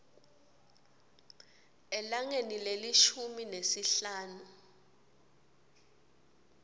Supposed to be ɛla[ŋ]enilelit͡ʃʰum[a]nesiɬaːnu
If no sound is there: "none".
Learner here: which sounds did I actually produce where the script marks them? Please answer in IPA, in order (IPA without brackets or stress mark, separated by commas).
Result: ŋ, i